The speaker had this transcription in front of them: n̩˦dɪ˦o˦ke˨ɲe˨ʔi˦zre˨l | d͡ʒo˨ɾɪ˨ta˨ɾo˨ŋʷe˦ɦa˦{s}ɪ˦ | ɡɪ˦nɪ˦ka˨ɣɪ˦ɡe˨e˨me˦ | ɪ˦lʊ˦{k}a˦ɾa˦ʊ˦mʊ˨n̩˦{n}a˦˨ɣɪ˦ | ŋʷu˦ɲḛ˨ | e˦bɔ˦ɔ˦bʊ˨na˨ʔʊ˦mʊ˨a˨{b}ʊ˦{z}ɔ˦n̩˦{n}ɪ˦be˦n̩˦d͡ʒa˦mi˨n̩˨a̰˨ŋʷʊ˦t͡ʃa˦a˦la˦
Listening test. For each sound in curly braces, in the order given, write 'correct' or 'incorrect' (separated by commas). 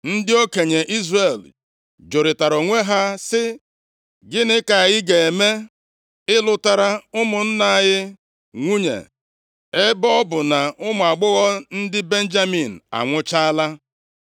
correct, incorrect, correct, incorrect, incorrect, incorrect